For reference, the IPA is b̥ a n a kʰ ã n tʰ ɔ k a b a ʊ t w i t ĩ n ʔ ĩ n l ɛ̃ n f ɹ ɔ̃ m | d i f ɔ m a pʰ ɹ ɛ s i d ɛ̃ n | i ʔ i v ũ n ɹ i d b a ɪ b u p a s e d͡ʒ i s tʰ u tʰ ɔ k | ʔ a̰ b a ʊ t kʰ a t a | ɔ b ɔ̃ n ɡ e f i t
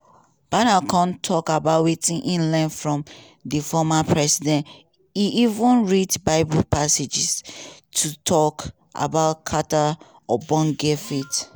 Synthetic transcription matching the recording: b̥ a n a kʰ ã n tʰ ɔ k a b a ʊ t w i t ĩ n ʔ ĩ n l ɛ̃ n f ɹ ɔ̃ m | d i f ɔ m a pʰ ɹ ɛ s i d ɛ̃ n | i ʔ i v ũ n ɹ i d b a ɪ b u p a s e d͡ʒ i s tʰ u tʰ ɔ k | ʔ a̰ b a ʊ t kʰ a t a | ɔ b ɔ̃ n ɡ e f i t